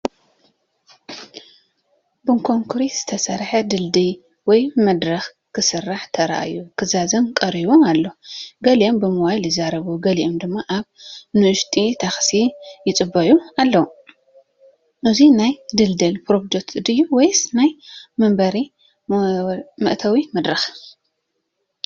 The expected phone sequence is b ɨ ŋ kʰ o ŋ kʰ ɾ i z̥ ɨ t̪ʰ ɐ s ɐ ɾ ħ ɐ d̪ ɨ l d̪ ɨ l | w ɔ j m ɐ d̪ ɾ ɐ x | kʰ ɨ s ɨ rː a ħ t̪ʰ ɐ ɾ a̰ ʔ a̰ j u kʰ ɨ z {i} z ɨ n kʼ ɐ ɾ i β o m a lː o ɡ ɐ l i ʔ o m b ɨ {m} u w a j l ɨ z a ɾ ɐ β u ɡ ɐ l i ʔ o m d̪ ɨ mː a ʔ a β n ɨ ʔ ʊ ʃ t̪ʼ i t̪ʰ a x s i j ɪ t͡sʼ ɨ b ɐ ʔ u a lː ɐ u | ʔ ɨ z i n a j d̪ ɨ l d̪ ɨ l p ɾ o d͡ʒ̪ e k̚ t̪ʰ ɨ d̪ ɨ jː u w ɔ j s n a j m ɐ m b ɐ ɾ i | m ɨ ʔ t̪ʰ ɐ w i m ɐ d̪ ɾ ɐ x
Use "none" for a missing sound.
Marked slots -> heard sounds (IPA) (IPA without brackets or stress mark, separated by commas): a, m